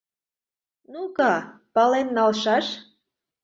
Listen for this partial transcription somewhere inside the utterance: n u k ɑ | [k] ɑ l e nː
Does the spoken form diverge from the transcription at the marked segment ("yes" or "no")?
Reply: yes